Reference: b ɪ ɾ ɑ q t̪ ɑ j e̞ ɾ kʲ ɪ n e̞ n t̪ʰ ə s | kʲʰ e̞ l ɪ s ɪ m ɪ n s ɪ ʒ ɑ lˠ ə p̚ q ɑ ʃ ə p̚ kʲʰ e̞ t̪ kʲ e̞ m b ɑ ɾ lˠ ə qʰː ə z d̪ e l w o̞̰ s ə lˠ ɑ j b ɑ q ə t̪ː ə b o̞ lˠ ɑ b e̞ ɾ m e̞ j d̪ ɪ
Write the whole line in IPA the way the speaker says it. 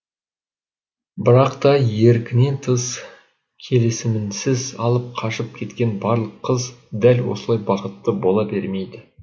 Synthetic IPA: b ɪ ɾ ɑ q t̪ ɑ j e̞ ɾ kʲ ɪ n e̞ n t̪ʰ ə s | kʲʰ e̞ l ɪ s ɪ m ɪ n s ɪ z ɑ lˠ ə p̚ qʰ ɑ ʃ ə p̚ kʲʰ e̞ t̪ kʲ e̞ n b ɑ ɾ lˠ ə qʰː ə z d̪ æ l w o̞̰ s ə lˠ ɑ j b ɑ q ə t̪ː ə b o̞ lˠ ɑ b e̞ ɾ m e̞ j d̪ ɪ